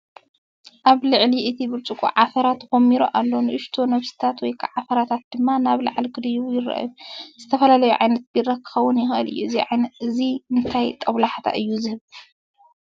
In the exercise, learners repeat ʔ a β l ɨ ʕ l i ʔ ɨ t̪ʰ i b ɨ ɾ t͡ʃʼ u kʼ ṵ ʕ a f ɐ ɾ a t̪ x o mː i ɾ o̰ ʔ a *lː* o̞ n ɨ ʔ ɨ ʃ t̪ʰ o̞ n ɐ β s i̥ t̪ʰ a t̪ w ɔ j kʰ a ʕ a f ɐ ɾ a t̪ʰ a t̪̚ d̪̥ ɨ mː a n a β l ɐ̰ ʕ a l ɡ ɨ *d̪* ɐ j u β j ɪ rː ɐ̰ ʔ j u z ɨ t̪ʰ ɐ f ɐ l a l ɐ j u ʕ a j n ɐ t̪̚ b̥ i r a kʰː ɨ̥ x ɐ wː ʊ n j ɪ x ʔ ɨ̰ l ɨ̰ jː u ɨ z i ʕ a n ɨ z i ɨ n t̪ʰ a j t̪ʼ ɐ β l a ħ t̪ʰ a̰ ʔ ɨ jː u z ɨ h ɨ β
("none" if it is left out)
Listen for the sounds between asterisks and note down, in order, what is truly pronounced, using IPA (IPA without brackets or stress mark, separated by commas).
lː, d̪